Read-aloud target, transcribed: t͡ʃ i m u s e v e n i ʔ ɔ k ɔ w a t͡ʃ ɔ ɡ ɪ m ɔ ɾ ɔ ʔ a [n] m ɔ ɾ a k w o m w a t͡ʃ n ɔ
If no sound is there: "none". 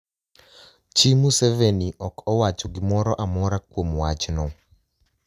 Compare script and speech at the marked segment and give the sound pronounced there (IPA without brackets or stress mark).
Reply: none